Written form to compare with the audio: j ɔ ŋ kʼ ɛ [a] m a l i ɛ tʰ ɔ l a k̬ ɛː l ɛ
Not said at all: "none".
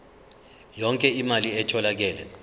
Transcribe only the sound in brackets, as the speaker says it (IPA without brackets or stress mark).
i